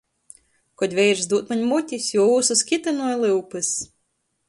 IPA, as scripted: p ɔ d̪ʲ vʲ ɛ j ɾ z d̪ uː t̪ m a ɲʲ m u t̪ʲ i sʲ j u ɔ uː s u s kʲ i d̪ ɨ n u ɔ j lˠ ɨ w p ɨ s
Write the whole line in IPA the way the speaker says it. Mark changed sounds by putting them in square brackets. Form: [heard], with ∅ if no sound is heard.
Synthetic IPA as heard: [k] ɔ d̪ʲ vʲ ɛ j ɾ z d̪ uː t̪ m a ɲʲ m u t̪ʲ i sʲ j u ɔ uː s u s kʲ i [t̪] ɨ n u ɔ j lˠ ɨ w p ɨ s